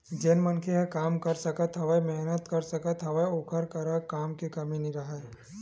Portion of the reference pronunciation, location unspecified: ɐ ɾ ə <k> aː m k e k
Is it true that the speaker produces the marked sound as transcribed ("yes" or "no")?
yes